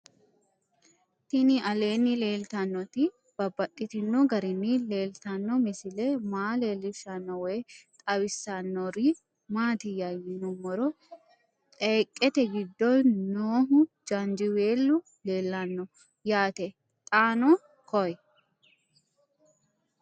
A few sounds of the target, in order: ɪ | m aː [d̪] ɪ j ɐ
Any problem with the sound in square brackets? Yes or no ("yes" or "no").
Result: yes